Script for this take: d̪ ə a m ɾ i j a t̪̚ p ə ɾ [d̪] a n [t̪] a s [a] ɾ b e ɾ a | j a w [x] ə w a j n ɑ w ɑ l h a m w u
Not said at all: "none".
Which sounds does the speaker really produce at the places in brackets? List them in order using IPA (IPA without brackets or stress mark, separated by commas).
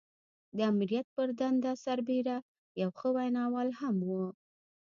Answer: d̪, d̪, a, x